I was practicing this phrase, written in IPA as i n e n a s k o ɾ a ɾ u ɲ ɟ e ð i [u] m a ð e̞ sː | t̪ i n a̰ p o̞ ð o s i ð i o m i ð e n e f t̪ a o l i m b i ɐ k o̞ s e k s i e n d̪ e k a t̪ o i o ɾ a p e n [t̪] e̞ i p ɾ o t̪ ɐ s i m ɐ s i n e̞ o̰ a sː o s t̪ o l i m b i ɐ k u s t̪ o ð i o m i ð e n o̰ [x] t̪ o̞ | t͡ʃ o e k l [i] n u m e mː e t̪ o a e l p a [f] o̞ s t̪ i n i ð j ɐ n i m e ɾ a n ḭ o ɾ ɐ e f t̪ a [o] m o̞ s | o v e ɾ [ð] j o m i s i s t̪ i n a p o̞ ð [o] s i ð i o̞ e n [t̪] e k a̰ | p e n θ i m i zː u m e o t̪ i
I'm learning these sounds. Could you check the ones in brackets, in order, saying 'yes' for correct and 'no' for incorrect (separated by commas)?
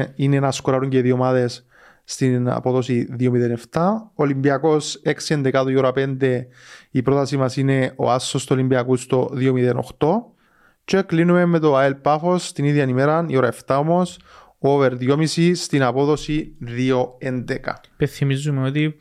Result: no, no, yes, yes, yes, yes, yes, yes, no